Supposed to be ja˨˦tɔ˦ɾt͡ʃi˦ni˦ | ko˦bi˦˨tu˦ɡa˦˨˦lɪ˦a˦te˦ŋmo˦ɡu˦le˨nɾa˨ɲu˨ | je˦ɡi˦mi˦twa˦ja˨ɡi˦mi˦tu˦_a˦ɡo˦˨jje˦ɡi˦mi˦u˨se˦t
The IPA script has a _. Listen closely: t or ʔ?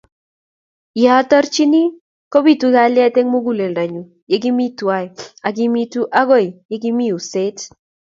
ʔ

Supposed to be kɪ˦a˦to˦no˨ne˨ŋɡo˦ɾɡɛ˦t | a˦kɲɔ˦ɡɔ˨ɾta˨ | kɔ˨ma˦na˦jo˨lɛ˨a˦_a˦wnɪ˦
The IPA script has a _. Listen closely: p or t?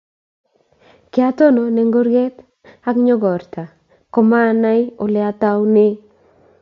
t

